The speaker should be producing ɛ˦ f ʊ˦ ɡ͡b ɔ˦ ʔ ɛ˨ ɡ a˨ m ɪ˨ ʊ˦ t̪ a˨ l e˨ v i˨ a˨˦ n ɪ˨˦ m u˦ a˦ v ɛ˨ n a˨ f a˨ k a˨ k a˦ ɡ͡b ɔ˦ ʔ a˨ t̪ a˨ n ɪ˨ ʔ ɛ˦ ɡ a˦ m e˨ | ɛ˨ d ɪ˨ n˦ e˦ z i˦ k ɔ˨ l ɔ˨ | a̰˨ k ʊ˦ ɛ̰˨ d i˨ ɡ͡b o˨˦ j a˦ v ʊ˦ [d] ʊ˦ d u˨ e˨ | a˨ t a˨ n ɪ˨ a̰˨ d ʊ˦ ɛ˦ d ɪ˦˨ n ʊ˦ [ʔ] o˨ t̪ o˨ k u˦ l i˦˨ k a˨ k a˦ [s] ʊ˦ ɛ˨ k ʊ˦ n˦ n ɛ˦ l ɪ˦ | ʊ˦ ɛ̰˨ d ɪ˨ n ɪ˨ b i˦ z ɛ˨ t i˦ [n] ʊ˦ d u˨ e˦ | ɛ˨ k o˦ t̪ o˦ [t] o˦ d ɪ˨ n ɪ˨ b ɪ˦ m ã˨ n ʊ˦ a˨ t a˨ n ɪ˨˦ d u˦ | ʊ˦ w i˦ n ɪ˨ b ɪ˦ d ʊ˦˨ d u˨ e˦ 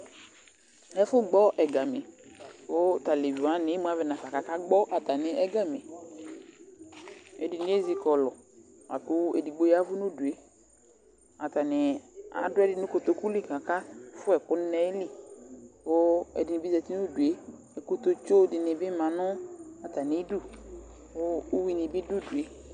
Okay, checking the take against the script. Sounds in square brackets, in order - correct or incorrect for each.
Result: incorrect: n, incorrect: k, incorrect: f, correct, incorrect: t͡ʃ

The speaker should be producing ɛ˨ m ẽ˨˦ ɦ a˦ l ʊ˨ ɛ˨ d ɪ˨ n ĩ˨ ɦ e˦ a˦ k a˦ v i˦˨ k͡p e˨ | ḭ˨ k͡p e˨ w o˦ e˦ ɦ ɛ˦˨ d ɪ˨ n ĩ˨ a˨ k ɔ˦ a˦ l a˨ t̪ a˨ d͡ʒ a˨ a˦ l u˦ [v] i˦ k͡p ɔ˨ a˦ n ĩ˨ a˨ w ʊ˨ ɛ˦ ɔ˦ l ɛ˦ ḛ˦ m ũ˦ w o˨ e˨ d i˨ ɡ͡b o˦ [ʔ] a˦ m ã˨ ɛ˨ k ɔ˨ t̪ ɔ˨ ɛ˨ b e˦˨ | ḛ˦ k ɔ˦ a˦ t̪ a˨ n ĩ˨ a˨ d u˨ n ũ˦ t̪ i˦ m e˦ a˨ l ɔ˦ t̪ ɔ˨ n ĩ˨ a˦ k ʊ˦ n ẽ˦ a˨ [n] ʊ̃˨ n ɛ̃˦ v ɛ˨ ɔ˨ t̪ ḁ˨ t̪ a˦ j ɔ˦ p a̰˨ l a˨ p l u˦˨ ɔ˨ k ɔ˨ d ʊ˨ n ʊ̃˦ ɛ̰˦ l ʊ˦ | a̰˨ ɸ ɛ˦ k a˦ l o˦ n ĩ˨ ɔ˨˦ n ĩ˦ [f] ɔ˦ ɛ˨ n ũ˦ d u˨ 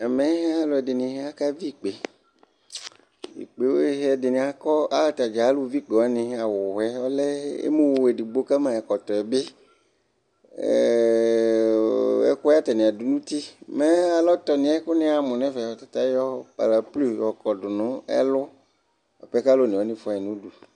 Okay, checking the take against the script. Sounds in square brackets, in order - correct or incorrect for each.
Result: correct, incorrect: k, incorrect: m, correct

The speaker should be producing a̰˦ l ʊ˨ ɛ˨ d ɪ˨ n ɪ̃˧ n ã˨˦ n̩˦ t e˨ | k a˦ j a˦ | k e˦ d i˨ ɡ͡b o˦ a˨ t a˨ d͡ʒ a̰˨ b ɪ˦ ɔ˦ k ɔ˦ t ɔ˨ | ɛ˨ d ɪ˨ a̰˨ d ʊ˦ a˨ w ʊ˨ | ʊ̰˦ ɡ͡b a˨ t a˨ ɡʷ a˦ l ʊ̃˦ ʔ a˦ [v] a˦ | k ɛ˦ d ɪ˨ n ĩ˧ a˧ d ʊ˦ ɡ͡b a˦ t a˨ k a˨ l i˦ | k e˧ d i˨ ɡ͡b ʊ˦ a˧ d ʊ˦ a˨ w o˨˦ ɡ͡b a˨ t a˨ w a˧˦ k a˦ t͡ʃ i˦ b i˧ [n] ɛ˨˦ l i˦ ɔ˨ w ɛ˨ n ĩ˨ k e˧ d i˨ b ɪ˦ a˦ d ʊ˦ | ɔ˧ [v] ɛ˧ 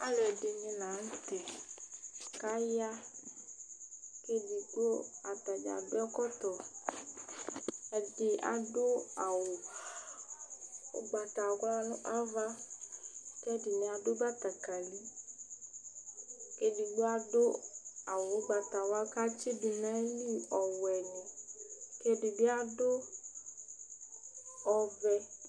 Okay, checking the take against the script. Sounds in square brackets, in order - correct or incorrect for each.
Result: correct, correct, correct

